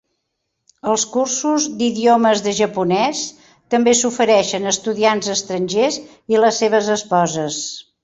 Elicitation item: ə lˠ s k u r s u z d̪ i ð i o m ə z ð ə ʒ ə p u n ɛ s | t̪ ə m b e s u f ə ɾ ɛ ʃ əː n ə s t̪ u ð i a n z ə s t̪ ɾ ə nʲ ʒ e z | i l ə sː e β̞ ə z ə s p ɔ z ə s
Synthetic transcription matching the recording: ə lˠ s k u r s u z d̪ i ð i o m ə z ð ə ʒ ə p u n ɛ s | t̪ ə m b e s u f ə ɾ ɛ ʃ ə n ə s t̪ u ð i a n z ə s t̪ ɾ ə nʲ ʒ e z | i l ə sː e β̞ ə z ə s p ɔ z ə s